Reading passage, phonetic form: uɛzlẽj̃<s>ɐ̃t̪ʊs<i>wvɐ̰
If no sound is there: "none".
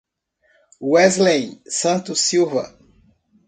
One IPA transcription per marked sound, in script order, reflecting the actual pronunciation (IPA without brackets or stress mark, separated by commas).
s, i